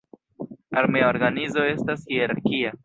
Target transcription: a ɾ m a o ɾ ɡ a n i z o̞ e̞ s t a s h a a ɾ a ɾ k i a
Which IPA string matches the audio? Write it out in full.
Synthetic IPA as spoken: a ɾ m e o ɾ ɡ a n i z o̞ e̞ s t a s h i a ɾ a ɾ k i a